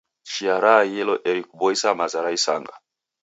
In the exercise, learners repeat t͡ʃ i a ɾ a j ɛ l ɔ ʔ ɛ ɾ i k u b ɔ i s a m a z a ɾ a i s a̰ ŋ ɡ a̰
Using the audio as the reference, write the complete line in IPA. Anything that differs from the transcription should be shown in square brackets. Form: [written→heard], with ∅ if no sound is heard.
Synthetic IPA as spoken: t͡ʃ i a ɾ a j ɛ l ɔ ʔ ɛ ɾ i k u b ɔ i s a m a z a ɾ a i s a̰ ŋ ɡ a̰